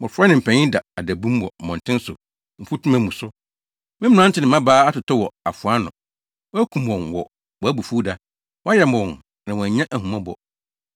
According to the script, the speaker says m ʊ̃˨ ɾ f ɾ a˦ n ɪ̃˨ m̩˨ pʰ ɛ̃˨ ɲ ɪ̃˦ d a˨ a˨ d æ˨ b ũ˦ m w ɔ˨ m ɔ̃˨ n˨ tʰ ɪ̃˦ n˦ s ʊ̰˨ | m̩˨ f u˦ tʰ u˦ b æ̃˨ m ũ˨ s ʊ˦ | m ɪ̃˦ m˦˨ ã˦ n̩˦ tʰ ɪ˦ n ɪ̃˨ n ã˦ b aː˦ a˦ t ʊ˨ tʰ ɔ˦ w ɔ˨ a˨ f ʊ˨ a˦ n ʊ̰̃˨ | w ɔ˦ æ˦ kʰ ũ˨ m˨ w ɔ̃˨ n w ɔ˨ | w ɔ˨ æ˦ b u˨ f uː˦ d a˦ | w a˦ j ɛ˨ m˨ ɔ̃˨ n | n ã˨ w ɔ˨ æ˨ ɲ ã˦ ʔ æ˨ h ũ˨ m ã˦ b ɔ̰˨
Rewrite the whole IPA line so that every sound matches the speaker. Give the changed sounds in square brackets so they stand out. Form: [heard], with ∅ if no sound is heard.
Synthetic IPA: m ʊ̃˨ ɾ f ɾ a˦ n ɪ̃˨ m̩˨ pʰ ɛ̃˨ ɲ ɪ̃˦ d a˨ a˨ d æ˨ b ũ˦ m w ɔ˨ m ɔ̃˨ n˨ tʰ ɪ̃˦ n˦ s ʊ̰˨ | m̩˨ f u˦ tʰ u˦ [m] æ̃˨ m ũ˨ s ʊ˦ | m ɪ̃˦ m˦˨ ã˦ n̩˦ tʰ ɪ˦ n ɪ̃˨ [m] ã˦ b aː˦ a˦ t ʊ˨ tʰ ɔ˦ w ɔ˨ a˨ f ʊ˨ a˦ n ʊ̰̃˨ | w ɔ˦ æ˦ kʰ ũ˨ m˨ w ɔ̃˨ n w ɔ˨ | w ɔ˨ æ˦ b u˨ f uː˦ d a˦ | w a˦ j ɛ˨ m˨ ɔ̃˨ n | n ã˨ w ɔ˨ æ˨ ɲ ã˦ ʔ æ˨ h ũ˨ m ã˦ b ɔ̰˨